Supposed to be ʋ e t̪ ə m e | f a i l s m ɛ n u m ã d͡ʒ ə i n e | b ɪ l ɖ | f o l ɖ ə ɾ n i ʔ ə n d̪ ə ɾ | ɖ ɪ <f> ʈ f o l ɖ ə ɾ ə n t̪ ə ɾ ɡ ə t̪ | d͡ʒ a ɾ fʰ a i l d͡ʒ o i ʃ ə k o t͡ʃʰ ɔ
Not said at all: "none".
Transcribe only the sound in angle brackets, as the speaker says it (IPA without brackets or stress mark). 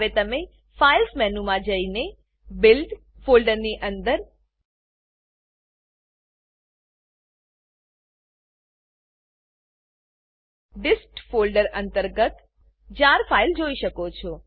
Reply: s